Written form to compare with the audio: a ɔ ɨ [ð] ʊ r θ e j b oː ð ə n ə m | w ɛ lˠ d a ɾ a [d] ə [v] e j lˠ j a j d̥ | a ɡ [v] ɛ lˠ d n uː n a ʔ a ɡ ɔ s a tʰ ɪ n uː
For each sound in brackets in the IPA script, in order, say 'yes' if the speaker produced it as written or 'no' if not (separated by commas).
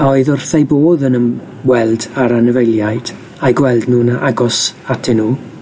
yes, no, yes, no